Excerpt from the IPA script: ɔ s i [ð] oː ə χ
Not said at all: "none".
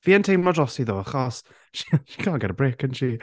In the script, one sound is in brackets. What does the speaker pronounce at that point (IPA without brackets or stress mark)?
ð